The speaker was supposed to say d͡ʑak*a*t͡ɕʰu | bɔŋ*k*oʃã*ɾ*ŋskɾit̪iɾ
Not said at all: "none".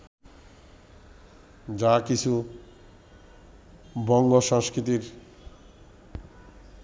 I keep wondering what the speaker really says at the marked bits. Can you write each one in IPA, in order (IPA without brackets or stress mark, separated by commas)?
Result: i, ɡ, none